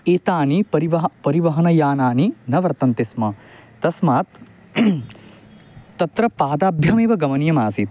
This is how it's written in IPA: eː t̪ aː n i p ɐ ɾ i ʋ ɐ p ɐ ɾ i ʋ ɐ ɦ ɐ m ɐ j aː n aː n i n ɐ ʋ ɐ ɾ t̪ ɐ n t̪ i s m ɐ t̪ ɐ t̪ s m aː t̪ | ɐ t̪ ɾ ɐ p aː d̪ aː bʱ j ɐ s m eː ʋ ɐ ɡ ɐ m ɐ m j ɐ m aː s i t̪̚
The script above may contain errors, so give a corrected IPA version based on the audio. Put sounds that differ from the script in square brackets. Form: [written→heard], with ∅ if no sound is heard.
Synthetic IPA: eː t̪ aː n i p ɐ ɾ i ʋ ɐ p ɐ ɾ i ʋ ɐ ɦ ɐ [m→n] ɐ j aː n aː n i n ɐ ʋ ɐ ɾ t̪ ɐ n t̪ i s m ɐ t̪ ɐ [t̪→∅] s m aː t̪ | ɐ t̪ ɾ ɐ p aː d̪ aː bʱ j ɐ [s→∅] m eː ʋ ɐ ɡ ɐ m ɐ [m→n] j ɐ m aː s i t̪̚